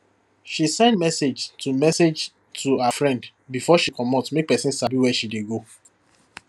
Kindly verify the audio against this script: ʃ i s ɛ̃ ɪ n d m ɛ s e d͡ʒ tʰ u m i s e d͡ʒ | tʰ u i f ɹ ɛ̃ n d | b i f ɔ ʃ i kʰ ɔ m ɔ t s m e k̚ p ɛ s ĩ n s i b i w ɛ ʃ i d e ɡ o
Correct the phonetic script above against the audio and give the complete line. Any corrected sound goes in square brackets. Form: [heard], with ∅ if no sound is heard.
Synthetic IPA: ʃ i s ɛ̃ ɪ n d m ɛ s e d͡ʒ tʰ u m [ɛ] s e d͡ʒ | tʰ u [a] f ɹ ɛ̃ n d | b i f ɔ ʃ i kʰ ɔ m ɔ t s m e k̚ p ɛ s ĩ n s [a] b i w ɛ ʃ i d e ɡ o